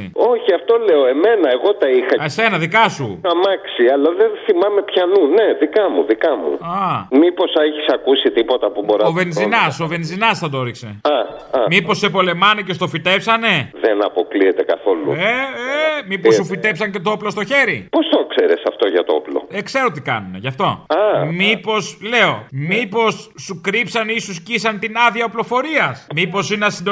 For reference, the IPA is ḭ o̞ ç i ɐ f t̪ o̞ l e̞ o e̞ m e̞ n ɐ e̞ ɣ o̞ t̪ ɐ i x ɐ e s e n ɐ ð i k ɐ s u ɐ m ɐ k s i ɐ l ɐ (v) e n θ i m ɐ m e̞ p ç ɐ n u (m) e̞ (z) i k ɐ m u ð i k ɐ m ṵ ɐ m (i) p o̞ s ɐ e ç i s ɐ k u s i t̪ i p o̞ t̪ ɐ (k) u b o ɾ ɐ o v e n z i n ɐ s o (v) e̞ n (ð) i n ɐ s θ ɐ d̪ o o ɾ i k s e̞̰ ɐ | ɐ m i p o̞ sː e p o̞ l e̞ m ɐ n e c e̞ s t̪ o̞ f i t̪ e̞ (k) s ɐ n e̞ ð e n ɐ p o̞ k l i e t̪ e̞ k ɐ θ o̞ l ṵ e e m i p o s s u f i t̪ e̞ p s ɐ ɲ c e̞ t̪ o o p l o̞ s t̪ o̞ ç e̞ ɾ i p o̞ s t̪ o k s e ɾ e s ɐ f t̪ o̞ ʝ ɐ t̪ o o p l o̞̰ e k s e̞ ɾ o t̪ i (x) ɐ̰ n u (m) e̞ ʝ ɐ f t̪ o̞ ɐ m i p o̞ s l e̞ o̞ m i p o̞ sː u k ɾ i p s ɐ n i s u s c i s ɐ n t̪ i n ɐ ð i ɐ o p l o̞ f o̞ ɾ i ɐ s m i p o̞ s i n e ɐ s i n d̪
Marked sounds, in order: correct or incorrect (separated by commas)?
incorrect, incorrect, incorrect, correct, incorrect, correct, incorrect, incorrect, incorrect, incorrect